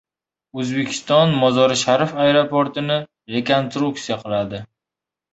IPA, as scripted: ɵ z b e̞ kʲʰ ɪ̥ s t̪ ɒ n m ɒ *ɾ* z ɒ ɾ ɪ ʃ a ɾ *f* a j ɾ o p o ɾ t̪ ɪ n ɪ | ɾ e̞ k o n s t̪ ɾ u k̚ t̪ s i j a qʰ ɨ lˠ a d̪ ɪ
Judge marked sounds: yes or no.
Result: no, yes

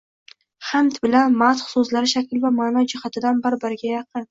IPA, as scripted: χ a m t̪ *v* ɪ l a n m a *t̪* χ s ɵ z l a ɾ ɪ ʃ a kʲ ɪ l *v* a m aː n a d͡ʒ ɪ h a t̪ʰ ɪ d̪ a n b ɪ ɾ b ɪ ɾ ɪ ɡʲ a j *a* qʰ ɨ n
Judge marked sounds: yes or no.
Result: no, yes, yes, no

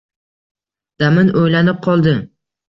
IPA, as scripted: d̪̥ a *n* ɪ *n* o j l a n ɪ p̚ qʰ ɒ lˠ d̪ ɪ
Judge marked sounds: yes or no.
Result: no, yes

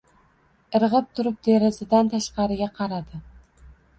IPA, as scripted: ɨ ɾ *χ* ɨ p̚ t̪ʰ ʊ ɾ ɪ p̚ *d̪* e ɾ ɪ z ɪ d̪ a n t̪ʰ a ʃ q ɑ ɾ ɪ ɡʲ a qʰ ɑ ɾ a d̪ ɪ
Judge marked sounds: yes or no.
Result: no, yes

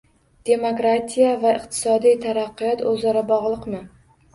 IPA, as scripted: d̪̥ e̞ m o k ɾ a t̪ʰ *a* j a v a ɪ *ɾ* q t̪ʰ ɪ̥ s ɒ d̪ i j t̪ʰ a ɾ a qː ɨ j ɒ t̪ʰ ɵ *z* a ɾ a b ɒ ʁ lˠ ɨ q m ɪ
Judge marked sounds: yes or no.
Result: no, no, yes

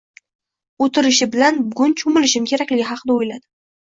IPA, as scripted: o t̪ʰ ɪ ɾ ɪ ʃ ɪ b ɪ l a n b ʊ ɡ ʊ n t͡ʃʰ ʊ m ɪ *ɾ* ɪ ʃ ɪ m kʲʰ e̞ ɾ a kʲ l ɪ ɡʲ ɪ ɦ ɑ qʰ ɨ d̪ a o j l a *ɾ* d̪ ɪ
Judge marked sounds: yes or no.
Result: no, no

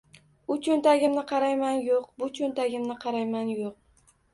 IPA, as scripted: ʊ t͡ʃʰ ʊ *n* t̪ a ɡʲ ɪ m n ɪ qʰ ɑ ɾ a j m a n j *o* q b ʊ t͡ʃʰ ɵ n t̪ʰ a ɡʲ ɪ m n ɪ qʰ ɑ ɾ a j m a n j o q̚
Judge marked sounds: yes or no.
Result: yes, yes

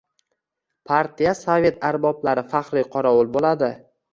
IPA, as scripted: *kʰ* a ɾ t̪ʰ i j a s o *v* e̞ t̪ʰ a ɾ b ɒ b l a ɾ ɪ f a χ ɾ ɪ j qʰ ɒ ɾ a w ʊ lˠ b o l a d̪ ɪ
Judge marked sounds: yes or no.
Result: no, yes

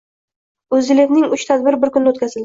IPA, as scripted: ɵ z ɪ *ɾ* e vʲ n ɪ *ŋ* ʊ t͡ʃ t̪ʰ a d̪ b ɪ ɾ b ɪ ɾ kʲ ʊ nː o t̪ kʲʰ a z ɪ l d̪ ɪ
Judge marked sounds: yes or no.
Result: no, yes

